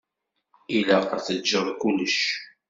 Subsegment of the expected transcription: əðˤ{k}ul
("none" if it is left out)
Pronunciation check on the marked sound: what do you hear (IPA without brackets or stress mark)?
k